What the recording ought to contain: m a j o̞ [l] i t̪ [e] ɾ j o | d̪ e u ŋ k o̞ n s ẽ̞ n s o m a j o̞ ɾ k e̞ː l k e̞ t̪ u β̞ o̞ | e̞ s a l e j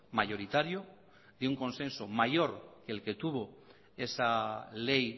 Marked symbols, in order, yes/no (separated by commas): no, no